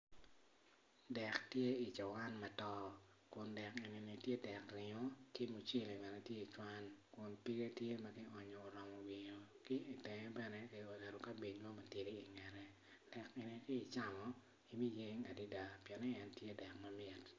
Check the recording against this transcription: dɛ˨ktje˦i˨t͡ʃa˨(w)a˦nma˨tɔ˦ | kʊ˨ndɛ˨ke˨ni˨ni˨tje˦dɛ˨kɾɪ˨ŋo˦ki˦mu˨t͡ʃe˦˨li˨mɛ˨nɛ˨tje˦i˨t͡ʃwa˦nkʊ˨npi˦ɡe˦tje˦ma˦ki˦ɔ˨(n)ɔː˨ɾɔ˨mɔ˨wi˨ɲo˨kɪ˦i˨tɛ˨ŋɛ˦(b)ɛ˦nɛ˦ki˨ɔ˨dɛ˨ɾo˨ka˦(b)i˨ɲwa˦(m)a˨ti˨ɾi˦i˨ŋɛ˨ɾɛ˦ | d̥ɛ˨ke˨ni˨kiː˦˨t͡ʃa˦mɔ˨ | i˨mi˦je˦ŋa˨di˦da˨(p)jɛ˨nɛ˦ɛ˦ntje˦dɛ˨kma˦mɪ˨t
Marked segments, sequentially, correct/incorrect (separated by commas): correct, incorrect, correct, correct, correct, correct